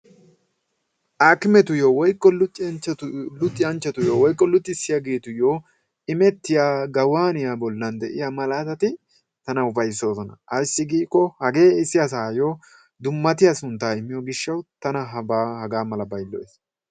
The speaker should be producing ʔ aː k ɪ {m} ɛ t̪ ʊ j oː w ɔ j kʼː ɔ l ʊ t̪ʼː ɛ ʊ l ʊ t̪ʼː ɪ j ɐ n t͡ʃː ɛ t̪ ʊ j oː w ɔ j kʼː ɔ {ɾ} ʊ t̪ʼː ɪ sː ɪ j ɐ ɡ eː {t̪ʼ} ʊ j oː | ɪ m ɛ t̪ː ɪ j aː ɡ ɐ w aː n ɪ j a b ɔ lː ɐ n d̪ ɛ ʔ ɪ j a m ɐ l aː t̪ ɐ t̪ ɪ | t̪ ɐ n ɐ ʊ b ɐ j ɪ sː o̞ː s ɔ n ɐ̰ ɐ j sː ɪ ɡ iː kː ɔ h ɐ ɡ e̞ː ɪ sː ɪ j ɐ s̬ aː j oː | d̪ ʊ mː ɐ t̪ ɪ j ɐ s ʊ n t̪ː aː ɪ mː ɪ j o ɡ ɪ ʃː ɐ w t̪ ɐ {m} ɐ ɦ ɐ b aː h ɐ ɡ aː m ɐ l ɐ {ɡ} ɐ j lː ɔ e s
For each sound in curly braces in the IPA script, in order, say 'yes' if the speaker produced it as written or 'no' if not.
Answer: yes, no, no, no, no

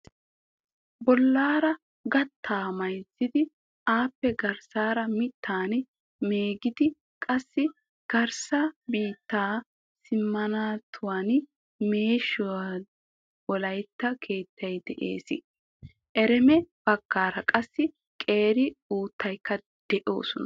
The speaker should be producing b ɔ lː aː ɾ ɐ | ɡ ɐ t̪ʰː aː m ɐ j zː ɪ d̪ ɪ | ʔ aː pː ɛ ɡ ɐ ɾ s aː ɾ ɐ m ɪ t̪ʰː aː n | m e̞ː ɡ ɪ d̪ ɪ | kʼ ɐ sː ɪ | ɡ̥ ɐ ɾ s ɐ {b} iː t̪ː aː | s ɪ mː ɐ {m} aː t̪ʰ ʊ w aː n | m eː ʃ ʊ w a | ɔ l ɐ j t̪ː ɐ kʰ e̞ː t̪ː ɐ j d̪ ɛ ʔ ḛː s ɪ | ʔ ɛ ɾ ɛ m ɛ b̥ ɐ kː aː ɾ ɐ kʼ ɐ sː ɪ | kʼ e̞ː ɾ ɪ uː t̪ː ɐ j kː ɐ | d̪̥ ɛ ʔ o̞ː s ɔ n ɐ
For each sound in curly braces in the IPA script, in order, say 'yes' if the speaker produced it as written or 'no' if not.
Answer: yes, no

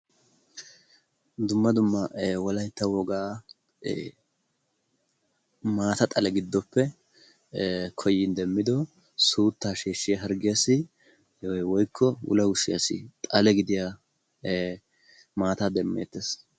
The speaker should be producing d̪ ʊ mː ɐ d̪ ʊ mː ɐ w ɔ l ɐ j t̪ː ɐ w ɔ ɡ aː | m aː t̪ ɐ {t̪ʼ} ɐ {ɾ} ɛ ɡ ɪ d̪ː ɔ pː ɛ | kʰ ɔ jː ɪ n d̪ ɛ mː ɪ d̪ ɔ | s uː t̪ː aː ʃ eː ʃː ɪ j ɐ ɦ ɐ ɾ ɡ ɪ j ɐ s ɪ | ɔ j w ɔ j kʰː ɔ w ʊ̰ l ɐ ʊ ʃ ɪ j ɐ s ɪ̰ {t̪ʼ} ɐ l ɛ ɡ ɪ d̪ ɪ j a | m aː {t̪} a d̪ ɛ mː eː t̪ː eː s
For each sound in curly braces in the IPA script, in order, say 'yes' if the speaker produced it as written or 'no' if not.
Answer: yes, no, yes, yes

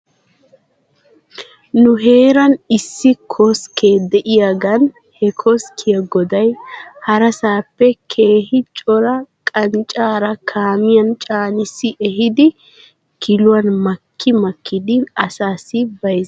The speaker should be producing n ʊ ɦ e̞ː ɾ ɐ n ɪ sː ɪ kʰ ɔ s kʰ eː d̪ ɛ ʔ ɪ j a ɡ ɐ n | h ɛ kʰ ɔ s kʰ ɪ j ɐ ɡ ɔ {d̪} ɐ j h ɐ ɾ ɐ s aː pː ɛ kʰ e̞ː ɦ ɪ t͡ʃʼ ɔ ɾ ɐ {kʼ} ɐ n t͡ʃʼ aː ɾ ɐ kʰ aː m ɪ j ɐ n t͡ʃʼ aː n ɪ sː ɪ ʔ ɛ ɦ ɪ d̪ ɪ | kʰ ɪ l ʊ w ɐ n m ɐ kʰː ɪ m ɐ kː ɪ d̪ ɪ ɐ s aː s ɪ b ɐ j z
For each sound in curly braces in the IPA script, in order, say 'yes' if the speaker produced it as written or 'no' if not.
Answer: yes, yes

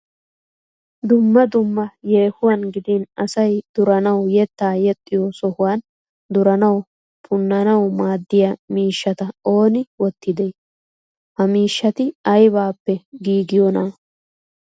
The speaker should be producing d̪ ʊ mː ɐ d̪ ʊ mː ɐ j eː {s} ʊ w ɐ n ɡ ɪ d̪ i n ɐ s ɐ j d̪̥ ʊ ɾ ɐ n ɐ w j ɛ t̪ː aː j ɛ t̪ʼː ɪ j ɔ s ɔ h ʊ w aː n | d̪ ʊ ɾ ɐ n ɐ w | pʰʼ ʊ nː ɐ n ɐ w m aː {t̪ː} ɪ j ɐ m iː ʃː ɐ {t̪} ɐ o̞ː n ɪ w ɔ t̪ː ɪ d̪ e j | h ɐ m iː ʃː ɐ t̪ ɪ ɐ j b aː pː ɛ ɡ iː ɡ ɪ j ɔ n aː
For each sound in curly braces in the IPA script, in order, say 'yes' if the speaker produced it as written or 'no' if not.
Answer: no, no, yes

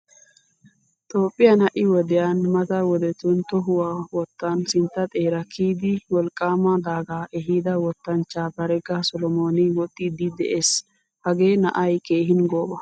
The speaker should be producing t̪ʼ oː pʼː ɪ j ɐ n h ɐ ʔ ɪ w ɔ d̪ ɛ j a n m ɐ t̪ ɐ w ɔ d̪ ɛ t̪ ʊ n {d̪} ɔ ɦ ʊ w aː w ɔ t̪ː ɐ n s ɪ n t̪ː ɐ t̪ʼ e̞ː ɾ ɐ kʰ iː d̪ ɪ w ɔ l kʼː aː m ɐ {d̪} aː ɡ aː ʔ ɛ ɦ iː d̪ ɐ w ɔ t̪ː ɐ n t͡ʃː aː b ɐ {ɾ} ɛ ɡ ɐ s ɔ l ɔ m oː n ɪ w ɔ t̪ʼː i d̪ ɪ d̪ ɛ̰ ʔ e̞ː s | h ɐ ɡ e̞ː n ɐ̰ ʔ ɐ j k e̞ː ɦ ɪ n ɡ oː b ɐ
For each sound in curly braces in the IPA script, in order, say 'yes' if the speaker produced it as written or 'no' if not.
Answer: no, yes, yes

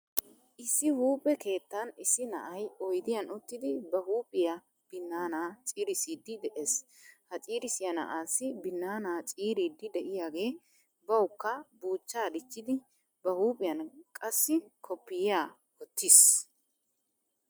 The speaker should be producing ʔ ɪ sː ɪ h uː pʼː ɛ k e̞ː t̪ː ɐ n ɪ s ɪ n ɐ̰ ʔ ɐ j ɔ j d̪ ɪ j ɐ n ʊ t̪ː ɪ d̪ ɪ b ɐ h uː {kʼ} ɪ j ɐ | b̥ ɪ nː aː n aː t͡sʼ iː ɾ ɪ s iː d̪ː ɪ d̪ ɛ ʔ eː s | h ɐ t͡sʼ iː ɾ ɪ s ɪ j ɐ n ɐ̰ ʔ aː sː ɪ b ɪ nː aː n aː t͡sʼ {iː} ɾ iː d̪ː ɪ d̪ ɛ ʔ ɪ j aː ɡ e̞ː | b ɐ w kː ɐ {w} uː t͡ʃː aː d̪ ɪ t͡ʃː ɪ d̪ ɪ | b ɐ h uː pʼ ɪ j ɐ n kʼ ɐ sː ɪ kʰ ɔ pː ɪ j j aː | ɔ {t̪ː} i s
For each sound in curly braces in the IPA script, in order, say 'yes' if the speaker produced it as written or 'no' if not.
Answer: no, yes, no, yes

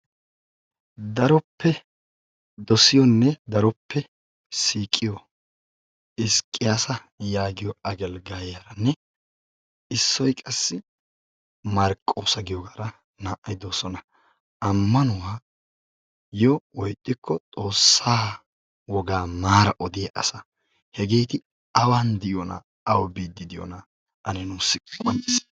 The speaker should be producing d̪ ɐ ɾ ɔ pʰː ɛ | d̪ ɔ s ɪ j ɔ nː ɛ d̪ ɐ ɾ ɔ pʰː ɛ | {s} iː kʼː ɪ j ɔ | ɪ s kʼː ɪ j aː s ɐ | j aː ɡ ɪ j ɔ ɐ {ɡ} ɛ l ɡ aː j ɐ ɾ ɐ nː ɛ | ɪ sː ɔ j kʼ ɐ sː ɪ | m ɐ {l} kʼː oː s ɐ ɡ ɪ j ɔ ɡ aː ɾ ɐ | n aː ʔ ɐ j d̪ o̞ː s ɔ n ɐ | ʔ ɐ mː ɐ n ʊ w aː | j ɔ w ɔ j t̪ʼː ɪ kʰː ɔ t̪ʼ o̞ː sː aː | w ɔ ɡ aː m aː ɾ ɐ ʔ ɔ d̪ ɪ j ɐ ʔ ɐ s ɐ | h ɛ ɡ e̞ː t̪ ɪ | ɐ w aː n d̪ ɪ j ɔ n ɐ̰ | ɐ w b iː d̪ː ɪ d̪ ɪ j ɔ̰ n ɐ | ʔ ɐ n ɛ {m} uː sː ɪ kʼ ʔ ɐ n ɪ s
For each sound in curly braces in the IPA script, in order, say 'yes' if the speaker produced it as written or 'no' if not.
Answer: yes, yes, no, no

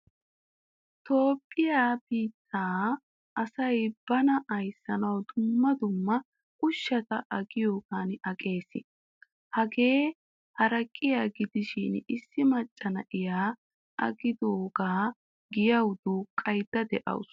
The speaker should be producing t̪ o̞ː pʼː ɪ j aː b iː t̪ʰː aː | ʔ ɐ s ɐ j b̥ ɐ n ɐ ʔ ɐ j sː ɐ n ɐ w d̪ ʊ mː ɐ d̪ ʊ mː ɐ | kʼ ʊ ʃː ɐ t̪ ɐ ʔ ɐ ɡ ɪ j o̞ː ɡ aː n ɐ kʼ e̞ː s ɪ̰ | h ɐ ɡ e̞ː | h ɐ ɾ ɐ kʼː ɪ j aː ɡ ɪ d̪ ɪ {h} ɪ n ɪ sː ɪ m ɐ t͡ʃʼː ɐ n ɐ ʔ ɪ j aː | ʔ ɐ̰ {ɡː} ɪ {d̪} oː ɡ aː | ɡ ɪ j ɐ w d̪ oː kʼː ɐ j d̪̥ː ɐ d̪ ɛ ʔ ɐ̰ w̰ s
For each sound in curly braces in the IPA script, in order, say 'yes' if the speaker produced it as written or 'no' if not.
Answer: no, no, yes

